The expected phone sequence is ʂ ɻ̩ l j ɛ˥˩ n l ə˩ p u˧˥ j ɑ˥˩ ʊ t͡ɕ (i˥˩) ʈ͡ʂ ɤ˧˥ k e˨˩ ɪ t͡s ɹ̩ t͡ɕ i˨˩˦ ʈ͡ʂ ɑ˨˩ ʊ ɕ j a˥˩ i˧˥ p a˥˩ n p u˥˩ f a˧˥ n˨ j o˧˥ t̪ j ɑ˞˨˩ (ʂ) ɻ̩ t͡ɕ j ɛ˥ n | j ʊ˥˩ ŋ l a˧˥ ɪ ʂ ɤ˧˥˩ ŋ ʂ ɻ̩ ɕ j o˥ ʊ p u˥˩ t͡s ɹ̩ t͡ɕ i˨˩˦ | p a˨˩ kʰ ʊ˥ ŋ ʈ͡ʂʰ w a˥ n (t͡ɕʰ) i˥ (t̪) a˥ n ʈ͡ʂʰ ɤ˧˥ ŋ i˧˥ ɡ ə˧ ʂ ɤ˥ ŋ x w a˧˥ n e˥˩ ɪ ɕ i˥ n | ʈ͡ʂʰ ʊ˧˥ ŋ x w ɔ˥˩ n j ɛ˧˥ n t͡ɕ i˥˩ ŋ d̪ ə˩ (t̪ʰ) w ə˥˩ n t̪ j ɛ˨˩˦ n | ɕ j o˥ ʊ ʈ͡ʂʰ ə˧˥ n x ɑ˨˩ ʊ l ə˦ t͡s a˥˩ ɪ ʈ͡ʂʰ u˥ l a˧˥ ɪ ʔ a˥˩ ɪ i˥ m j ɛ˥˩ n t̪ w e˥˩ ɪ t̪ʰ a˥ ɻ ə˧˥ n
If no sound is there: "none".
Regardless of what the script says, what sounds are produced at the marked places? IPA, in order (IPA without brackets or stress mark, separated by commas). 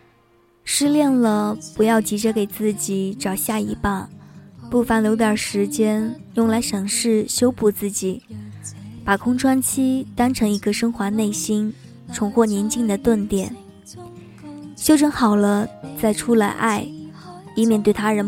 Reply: i˧˥, ʂ, t͡ɕʰ, t̪, t̪